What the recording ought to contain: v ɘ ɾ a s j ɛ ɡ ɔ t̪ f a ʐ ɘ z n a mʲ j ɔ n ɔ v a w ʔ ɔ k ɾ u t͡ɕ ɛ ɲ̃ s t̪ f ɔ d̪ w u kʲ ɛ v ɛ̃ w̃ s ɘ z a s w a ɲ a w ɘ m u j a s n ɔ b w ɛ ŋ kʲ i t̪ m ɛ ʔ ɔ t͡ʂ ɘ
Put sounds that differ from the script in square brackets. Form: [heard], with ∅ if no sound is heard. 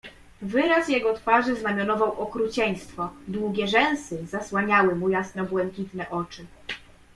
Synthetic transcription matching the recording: v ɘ ɾ a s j ɛ ɡ ɔ t̪ f a ʐ ɘ z n a mʲ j ɔ n ɔ v a w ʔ ɔ k ɾ u t͡ɕ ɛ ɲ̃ s t̪ f ɔ d̪ w u [ɡʲ] ɛ [ʐ] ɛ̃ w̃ s ɘ z a s w a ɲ a w ɘ m u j a s n ɔ b w ɛ ŋ kʲ i t̪ [n] ɛ ʔ ɔ t͡ʂ ɘ